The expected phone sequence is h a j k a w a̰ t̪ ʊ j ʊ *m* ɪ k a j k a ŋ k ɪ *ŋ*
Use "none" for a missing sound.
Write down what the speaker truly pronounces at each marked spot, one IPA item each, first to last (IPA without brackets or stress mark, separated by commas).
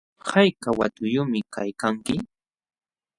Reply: m, none